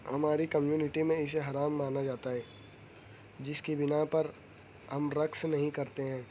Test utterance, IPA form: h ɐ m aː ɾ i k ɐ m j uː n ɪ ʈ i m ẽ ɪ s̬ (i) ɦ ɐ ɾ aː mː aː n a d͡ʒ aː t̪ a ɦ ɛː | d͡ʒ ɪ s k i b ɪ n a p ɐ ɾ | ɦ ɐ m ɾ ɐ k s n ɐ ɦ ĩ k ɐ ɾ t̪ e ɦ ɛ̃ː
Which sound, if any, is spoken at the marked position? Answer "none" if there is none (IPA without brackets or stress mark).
e